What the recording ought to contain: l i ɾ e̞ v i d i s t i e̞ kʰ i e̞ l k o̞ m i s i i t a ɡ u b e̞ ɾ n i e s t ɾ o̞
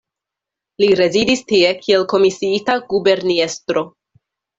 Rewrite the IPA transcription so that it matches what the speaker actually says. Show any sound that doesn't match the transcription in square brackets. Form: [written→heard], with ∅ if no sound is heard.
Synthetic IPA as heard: l i ɾ e̞ [v→z] i d i s t i e̞ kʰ i e̞ l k o̞ m i s i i t a ɡ u b e̞ ɾ n i e s t ɾ o̞